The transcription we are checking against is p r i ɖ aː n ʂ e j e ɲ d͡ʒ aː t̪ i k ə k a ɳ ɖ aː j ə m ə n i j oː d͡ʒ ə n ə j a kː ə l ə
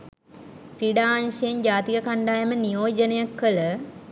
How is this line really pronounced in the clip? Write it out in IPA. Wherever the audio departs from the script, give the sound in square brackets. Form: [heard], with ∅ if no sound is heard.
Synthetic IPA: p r i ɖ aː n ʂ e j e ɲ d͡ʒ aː t̪ i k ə k a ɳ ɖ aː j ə m ə n i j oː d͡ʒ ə n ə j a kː ə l ə